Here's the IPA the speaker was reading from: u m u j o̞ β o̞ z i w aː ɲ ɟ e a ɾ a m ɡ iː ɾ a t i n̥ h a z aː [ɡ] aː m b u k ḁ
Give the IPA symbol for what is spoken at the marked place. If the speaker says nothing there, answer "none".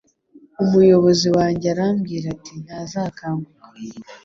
k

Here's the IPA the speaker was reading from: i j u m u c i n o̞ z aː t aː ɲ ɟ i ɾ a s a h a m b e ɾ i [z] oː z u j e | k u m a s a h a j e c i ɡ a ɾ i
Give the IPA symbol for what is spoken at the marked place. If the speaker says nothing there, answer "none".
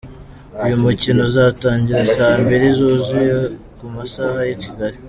z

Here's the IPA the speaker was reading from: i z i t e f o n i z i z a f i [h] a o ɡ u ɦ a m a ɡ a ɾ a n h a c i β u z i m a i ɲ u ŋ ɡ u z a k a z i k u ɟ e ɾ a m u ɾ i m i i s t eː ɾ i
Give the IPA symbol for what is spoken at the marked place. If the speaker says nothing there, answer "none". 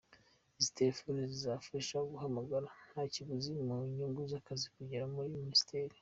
ʃ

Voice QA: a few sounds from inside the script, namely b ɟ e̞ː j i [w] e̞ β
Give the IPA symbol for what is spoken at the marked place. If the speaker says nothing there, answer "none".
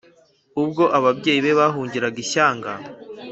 β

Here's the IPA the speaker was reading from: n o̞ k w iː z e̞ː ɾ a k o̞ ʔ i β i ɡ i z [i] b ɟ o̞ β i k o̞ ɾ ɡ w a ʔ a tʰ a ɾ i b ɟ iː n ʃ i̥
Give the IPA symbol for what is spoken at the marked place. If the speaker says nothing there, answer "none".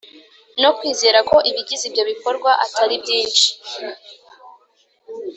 i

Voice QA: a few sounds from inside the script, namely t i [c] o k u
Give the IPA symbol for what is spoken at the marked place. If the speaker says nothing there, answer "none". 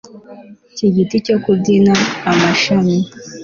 c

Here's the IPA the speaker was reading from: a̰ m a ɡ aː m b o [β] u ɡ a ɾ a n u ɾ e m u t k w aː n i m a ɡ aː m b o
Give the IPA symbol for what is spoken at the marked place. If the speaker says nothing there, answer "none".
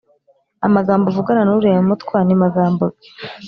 v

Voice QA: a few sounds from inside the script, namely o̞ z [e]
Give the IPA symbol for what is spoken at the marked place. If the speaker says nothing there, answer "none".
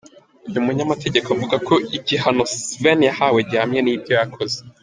e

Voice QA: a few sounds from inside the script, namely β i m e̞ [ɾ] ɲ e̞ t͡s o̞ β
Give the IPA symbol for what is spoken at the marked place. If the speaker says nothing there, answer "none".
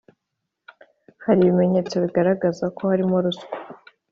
none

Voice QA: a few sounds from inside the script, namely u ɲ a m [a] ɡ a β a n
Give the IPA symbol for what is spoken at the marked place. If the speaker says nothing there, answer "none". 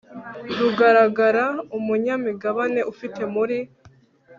i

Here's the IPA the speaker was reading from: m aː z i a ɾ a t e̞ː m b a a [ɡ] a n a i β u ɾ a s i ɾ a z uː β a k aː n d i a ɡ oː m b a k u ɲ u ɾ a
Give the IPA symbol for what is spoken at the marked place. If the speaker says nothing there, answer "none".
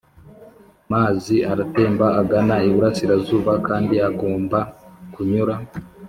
ɡ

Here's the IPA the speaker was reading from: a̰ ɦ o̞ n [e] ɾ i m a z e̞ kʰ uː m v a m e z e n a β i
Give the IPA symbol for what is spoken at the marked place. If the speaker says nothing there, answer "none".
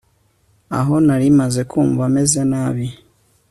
a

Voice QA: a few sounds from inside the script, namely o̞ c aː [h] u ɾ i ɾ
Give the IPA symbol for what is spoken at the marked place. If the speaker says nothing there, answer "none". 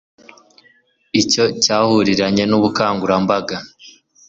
h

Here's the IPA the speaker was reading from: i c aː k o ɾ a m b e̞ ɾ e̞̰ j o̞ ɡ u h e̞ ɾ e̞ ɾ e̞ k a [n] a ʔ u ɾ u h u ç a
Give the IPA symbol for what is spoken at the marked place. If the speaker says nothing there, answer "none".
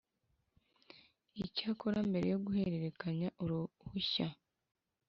ɲ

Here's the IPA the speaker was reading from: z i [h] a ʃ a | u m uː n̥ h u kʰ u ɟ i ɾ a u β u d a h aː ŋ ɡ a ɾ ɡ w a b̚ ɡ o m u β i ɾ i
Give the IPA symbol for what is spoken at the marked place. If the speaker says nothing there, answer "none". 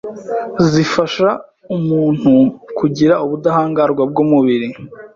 f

